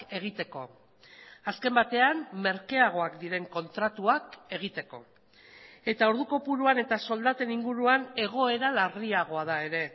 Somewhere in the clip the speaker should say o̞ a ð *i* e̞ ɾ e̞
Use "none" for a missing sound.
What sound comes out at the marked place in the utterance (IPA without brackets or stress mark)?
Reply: a